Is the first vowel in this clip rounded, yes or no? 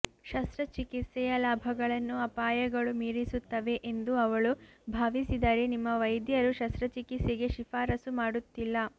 no